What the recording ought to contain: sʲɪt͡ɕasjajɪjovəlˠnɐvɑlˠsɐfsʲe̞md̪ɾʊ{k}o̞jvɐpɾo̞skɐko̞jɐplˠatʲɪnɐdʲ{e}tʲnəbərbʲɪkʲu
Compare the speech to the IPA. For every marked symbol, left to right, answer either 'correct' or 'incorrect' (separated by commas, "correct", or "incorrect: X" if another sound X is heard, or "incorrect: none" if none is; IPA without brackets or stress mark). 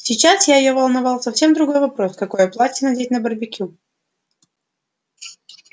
incorrect: ɡ, correct